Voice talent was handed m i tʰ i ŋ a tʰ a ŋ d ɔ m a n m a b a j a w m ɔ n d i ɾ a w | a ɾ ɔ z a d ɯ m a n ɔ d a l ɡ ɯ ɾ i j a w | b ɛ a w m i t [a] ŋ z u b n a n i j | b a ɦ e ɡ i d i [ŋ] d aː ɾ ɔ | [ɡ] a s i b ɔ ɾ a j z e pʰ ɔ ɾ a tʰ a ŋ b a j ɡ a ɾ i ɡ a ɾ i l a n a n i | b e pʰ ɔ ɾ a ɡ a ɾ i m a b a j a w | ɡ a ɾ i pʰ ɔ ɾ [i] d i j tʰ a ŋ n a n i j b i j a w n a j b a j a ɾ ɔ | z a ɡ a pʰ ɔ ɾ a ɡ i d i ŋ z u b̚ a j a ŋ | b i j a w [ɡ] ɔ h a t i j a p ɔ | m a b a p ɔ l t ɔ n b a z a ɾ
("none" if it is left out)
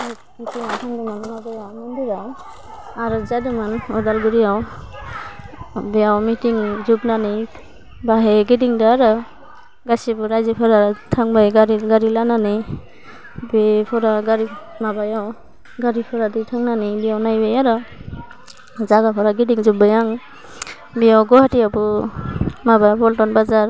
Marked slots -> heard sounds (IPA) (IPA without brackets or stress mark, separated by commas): i, ŋ, ɡ, a, ɡ